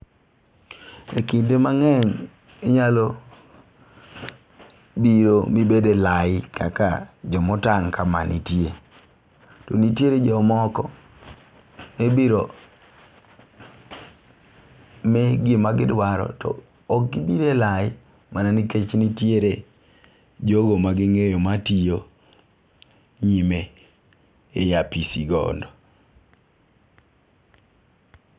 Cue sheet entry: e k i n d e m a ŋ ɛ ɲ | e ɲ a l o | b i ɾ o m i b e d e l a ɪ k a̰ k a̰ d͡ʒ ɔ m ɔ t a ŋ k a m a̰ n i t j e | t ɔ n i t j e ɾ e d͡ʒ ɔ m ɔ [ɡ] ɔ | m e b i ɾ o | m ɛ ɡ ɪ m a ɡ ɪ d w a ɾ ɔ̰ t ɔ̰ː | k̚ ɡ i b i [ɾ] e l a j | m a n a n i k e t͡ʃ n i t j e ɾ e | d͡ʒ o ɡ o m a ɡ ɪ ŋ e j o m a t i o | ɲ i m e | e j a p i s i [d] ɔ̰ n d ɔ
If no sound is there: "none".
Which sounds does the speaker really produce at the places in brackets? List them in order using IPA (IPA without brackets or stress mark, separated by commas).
k, ɾ, ɡ